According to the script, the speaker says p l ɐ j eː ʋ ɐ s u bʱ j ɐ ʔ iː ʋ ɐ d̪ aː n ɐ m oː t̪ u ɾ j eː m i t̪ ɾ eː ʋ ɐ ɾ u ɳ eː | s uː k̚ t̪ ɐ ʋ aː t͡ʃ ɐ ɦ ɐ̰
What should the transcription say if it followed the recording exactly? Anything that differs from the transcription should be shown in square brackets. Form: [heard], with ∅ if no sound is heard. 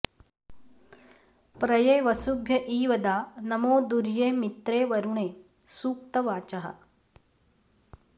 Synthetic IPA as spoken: p [ɾ] ɐ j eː ʋ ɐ s u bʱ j ɐ ʔ iː ʋ ɐ d̪ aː n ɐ m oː [d̪] u ɾ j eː m i t̪ ɾ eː ʋ ɐ ɾ u ɳ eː | s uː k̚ t̪ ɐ ʋ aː t͡ʃ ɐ ɦ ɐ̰